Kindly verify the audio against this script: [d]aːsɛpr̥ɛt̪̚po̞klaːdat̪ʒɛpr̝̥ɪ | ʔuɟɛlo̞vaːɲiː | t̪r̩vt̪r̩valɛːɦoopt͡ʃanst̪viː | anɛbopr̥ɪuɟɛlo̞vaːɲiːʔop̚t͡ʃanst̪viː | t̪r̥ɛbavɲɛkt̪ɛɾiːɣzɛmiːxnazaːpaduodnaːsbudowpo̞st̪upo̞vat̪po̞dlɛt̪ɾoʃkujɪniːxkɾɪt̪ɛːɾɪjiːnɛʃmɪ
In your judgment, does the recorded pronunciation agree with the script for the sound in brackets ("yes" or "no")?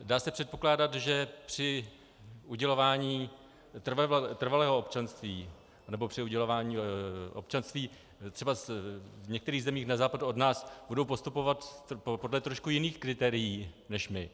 yes